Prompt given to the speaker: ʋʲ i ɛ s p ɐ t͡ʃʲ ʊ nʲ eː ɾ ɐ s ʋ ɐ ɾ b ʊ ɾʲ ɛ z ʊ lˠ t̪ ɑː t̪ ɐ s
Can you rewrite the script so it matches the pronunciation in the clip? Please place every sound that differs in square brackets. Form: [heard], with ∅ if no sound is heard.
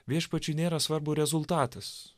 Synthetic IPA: ʋʲ i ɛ [ʃ] p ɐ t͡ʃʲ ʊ nʲ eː ɾ ɐ s ʋ ɐ ɾ b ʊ ɾʲ ɛ z ʊ lˠ t̪ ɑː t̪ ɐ s